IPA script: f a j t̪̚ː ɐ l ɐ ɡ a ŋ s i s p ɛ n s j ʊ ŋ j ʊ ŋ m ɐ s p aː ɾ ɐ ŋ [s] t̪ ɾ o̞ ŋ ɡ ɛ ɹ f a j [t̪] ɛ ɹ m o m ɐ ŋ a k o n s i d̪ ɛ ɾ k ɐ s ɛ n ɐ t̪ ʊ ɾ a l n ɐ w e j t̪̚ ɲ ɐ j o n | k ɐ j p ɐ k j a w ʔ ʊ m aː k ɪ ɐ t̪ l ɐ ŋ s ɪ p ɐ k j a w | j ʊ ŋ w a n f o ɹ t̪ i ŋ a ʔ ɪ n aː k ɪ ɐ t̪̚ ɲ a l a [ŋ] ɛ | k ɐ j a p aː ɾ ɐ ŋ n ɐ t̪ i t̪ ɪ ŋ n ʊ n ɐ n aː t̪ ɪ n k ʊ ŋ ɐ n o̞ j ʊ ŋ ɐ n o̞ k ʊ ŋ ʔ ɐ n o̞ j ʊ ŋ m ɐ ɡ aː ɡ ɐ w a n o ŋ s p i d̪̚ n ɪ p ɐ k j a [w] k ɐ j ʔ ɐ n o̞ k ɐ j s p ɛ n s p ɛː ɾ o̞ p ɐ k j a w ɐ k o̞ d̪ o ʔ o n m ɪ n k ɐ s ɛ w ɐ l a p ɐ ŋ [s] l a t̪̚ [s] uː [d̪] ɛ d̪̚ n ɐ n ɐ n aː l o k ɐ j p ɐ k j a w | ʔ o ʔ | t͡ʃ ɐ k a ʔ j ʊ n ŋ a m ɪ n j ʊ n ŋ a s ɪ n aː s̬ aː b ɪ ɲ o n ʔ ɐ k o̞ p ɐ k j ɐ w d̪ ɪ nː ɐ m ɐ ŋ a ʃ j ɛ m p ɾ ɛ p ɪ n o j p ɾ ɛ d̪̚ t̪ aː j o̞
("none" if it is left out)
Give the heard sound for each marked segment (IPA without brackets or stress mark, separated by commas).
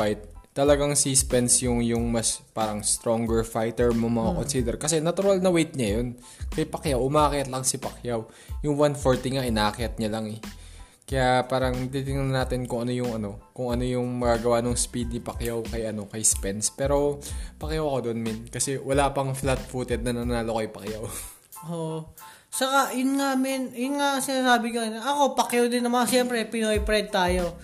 s, t̪, ŋ, w, f, f, t̪